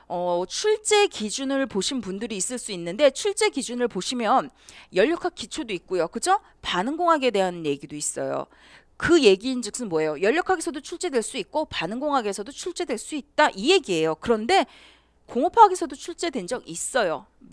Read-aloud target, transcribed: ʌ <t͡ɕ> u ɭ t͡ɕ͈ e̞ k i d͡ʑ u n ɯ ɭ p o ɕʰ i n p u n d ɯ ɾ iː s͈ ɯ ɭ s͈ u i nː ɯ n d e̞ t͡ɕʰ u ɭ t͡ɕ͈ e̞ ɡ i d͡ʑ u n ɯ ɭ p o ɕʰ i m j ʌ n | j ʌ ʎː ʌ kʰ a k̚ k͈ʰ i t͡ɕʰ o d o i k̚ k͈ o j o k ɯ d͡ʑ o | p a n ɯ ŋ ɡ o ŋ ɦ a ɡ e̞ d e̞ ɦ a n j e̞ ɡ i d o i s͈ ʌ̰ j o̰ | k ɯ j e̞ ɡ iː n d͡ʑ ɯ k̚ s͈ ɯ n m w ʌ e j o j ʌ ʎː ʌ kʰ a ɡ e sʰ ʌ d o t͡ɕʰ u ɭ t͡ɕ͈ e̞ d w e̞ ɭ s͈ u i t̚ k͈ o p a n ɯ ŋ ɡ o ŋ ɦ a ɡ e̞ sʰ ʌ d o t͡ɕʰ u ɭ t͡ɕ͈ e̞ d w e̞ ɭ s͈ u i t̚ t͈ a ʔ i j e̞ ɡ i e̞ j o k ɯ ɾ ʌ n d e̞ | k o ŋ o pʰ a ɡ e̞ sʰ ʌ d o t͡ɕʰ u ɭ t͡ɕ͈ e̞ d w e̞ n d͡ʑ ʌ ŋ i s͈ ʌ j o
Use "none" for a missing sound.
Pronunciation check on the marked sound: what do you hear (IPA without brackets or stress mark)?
t͡ɕʰ